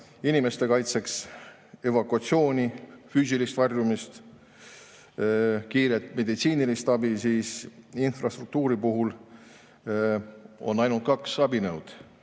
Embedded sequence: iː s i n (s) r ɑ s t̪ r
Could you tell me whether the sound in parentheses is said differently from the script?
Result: yes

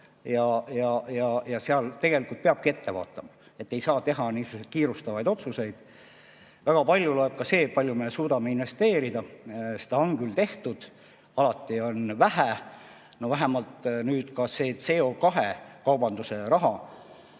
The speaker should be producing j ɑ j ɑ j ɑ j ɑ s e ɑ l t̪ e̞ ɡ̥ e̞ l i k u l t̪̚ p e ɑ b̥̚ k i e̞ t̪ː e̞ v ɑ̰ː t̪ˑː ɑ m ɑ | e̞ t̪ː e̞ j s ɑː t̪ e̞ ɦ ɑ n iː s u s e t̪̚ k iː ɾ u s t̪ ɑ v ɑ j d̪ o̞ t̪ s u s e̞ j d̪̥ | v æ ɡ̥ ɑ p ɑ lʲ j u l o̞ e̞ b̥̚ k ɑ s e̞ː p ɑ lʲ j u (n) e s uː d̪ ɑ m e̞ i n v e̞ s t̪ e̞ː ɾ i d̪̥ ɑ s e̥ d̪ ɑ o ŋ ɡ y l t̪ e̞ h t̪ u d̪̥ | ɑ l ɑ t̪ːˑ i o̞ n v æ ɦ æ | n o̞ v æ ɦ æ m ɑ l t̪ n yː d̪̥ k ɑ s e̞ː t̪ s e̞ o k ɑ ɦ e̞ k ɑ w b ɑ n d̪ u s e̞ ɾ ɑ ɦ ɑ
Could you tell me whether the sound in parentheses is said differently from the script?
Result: yes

